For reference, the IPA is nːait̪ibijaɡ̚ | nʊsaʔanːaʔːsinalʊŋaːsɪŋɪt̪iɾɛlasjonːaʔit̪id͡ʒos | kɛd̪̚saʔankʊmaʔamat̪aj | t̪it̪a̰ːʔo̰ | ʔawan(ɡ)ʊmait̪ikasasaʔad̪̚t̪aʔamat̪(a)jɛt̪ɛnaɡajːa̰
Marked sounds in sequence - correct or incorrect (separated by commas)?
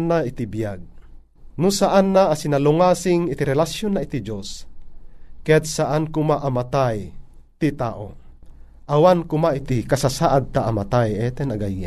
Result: incorrect, correct